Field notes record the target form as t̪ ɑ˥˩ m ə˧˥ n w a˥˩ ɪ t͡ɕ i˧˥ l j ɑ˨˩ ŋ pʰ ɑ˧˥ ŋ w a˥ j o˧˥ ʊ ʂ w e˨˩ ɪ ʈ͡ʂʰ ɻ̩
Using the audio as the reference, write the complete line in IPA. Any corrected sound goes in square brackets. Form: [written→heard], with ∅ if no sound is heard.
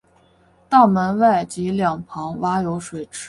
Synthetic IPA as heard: t̪ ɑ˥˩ m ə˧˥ n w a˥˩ ɪ t͡ɕ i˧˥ l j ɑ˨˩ ŋ pʰ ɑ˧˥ ŋ w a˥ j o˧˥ ʊ ʂ w e˨˩ ɪ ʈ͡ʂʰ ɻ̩